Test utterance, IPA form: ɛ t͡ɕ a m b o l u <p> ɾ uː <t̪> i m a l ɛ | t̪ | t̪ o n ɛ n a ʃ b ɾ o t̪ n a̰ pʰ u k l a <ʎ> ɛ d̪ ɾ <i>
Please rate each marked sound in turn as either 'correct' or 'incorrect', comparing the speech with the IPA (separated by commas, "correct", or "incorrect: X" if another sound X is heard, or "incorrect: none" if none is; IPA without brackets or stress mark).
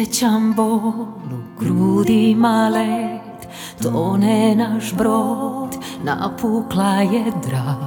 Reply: incorrect: k, incorrect: d̪, incorrect: j, incorrect: a